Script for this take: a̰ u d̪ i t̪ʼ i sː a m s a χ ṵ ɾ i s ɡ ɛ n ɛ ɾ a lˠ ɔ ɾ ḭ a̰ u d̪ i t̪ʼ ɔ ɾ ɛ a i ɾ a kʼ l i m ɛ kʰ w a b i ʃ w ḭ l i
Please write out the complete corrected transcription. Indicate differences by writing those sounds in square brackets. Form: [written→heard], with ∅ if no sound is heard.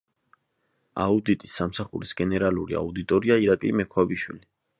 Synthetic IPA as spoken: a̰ u d̪ i t̪ʼ i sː a m s a χ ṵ ɾ i s ɡ ɛ n ɛ ɾ a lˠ [ɔ→u] ɾ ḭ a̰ u d̪ i t̪ʼ ɔ ɾ [ɛ→i] a i ɾ a kʼ l i m ɛ kʰ w a b i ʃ w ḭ l i